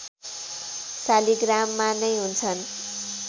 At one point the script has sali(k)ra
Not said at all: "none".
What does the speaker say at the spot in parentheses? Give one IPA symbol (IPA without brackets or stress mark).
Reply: ɡ